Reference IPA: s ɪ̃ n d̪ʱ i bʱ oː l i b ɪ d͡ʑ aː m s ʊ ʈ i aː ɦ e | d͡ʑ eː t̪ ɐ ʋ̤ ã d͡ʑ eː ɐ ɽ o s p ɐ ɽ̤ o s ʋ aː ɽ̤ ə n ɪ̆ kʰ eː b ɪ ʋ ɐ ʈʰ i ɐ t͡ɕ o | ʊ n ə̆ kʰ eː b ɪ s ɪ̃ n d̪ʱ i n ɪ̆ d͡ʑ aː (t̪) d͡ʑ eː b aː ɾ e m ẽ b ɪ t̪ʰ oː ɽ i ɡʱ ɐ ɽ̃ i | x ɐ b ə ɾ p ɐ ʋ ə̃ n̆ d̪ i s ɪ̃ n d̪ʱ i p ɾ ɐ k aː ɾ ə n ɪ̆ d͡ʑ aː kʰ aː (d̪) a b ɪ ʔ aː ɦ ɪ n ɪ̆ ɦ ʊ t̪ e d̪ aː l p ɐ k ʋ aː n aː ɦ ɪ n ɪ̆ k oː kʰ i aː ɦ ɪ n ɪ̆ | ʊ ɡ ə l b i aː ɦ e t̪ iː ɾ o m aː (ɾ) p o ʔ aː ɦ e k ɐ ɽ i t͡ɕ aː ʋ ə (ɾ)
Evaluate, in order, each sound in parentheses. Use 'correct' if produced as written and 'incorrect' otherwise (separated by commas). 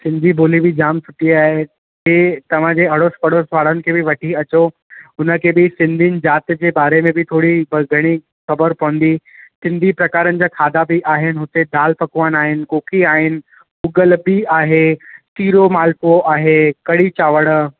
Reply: correct, correct, incorrect, incorrect